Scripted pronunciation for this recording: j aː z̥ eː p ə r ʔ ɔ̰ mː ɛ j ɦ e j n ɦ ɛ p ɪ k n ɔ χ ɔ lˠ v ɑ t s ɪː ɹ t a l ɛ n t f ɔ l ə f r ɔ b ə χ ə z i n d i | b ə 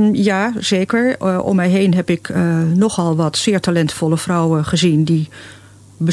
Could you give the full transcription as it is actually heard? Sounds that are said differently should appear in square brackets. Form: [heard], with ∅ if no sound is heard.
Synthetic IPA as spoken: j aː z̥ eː [k] ə [ɹ] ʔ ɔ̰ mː ɛ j ɦ e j n ɦ ɛ p ɪ k n ɔ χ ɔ lˠ [ʋ] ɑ t s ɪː ɹ t a l ɛ n t f ɔ l ə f r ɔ [w] ə χ ə z i n d i | b ə